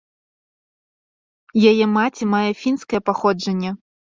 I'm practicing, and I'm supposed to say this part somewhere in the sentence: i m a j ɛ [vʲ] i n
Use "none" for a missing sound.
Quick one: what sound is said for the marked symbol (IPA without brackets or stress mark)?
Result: fʲ